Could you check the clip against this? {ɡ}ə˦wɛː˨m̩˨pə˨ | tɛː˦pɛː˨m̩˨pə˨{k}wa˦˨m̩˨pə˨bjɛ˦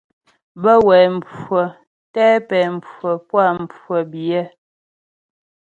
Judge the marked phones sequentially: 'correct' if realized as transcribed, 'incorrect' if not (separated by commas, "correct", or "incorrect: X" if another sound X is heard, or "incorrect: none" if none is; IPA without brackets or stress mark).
incorrect: b, incorrect: p